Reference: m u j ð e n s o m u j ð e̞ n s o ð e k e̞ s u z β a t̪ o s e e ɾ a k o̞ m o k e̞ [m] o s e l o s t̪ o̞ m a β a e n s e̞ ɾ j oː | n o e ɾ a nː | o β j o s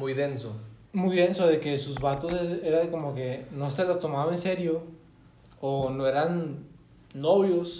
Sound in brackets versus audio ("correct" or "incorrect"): incorrect